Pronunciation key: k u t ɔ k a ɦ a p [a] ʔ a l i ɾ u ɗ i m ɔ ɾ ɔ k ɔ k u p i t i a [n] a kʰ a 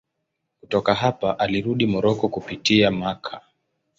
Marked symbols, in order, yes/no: yes, no

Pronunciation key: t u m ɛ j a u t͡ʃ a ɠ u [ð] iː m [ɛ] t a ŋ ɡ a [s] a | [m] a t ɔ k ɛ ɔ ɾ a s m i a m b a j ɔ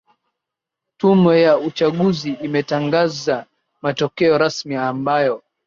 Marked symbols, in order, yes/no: no, yes, no, yes

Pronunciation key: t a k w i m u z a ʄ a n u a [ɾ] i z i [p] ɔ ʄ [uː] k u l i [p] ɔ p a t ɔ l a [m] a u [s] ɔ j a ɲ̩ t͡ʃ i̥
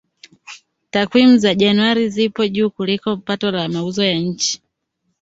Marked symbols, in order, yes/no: yes, yes, yes, no, yes, no

